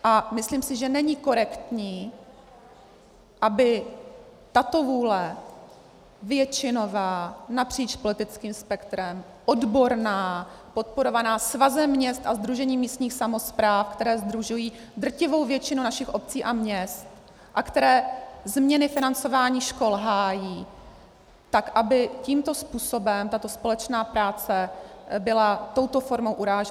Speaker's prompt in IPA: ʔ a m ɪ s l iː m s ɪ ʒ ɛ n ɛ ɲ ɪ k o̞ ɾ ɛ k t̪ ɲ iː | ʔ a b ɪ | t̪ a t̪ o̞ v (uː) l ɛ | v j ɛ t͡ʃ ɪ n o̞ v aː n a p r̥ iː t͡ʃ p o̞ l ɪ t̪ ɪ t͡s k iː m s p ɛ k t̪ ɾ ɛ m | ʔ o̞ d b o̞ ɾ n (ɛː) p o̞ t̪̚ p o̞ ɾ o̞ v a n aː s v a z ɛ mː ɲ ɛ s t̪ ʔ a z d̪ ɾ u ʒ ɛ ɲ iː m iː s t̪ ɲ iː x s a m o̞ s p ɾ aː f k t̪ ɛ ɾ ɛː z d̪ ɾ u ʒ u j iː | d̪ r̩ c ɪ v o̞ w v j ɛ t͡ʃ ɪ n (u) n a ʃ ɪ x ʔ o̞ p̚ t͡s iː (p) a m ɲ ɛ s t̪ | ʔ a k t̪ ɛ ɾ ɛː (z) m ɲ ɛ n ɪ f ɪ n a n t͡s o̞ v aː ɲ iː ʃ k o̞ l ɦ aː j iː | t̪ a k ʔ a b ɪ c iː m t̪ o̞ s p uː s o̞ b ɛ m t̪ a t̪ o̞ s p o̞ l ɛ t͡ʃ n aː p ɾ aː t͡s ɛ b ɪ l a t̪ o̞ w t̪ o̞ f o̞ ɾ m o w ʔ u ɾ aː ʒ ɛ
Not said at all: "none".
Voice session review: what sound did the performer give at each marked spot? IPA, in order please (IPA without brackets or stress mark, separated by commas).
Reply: uː, aː, u, ʔ, z